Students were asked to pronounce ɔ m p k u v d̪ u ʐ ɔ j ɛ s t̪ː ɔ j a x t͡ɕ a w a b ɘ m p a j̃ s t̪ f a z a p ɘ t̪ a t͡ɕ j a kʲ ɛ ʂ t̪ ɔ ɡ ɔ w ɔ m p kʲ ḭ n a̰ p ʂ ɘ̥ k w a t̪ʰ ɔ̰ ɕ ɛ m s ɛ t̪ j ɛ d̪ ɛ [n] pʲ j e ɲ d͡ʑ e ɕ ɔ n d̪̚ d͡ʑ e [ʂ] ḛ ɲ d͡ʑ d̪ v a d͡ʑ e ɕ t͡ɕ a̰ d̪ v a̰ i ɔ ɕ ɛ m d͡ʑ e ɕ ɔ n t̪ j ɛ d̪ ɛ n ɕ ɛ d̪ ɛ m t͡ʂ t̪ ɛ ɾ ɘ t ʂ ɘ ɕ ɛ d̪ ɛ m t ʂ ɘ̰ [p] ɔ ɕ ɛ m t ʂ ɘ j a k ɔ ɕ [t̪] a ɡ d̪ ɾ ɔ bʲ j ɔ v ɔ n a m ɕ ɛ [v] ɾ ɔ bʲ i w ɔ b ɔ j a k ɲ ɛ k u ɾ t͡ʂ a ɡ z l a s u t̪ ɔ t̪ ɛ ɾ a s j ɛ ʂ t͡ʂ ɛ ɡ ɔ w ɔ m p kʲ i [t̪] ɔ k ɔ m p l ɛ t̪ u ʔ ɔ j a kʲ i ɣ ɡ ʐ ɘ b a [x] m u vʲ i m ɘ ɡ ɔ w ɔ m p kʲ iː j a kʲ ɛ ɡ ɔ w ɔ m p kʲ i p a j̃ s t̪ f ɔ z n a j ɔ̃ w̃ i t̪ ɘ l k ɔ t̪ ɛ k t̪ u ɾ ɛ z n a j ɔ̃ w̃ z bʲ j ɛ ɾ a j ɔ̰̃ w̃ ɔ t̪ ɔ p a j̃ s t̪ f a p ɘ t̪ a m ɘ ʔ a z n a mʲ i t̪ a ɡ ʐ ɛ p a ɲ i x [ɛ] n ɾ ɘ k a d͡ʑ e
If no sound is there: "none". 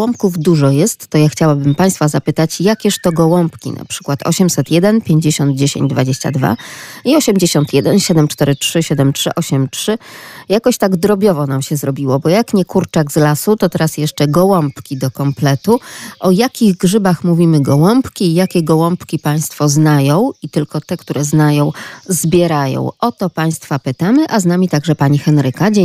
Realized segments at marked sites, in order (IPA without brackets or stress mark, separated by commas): n, ɕ, ʔ, t̪, z, d̪, x, ɛ